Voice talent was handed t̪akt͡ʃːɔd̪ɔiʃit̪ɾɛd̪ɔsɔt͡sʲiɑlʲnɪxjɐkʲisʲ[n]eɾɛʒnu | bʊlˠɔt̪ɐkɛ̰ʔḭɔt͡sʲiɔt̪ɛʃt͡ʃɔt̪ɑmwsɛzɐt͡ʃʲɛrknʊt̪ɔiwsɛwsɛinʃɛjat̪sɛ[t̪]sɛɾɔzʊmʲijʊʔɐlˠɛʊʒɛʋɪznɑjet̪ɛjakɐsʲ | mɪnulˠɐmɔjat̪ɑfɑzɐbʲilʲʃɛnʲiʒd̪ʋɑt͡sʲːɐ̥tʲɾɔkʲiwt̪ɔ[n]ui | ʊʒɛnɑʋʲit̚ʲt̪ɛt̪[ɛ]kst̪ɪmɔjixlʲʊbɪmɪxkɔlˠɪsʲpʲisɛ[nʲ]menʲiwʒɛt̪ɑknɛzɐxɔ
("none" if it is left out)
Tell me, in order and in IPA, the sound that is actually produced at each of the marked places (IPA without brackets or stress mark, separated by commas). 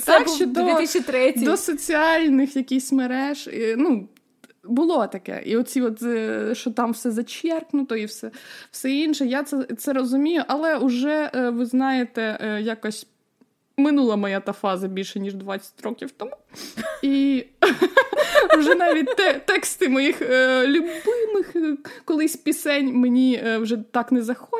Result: m, t̪, m, ɛ, nʲ